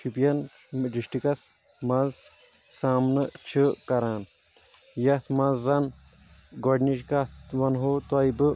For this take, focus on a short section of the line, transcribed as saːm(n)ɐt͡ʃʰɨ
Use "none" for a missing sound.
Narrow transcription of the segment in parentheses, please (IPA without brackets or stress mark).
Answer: n